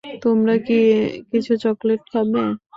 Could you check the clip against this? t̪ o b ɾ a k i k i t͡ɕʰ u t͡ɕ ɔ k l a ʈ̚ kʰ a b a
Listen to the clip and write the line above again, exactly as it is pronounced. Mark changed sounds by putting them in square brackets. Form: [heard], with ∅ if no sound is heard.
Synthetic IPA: t̪ o [m] ɾ a k i k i t͡ɕʰ u t͡ɕ ɔ k l [e] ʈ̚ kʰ a b [e]